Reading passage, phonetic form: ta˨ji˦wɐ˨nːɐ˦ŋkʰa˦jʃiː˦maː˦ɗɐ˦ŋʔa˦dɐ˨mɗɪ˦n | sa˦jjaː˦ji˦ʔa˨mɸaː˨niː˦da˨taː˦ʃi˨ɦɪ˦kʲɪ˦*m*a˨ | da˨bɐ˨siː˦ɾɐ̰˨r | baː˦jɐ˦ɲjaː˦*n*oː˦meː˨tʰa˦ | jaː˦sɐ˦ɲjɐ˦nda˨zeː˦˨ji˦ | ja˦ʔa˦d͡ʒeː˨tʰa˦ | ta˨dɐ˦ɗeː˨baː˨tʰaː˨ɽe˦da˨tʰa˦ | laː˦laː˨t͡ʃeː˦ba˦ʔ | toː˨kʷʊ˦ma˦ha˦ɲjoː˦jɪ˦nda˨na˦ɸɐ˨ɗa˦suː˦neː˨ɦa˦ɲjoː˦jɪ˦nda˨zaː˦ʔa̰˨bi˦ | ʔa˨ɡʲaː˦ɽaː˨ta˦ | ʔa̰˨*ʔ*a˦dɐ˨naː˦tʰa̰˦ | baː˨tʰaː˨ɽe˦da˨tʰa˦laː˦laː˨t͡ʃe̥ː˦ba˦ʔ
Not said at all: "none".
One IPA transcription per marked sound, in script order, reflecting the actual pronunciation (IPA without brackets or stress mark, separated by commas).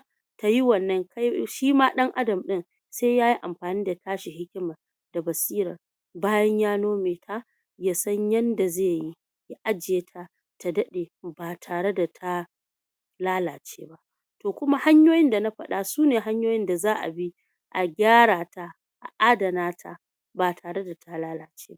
m, n, ʔ